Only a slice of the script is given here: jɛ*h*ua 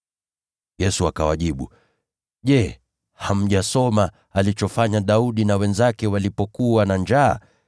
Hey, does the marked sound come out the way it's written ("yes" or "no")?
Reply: no